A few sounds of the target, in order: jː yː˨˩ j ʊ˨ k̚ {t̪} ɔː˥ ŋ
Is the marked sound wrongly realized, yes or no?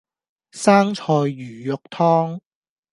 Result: yes